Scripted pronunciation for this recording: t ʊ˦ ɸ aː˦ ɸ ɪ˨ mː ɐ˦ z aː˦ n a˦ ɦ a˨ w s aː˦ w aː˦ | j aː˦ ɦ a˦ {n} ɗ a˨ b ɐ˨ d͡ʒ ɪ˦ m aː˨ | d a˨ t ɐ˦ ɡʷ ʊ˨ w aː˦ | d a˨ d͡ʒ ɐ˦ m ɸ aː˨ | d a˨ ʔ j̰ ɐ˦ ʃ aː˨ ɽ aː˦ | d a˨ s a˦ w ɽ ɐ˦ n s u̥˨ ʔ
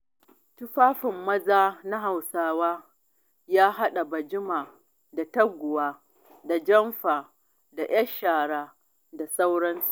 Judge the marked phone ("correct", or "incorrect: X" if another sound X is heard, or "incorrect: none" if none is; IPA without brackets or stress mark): incorrect: none